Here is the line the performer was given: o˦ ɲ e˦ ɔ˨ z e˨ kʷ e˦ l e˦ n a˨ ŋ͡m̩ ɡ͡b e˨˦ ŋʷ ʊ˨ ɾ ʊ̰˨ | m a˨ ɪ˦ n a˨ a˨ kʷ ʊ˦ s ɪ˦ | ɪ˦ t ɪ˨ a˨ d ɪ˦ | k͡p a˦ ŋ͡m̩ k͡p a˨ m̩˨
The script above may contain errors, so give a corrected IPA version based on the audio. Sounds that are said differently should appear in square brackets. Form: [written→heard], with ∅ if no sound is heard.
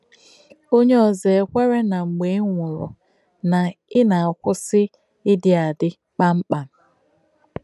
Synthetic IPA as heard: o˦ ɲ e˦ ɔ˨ z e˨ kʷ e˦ [l→ɾ] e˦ n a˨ ŋ͡m̩ ɡ͡b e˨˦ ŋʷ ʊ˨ ɾ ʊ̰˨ | [m→n] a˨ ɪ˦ n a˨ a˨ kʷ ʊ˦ s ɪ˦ | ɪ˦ [t→d] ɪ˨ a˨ d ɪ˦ | k͡p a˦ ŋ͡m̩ k͡p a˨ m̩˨